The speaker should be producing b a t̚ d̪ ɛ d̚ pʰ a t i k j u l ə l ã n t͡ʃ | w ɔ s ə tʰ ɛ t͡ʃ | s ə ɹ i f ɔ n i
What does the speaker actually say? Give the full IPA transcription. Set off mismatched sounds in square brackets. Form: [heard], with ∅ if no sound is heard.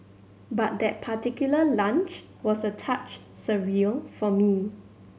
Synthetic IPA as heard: b a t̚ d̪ ɛ [t̚] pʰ a t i k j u l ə l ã n t͡ʃ | w ɔ s ə tʰ [a] t͡ʃ | s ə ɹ i f ɔ [m] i